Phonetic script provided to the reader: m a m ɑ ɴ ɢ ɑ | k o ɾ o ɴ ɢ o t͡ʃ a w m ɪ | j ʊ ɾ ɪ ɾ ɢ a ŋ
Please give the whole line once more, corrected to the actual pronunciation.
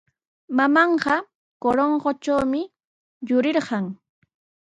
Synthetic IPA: m a m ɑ ɴ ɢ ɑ | k o ɾ o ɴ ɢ o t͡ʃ a w m ɪ | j ʊ ɾ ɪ ɾ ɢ ɑ ŋ